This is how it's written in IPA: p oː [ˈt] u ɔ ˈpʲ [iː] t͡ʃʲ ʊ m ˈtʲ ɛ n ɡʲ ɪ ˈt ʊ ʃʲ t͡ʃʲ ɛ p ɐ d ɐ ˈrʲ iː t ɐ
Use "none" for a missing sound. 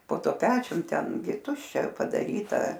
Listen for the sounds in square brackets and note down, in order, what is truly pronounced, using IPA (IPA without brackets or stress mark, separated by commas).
t, æː